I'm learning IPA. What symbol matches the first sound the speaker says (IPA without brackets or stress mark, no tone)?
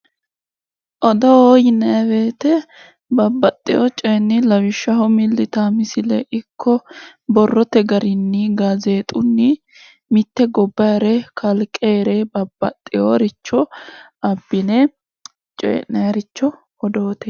ʔ